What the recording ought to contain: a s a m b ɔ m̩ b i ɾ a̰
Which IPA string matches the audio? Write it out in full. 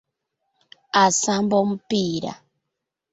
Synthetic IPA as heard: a s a m b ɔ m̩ p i ɾ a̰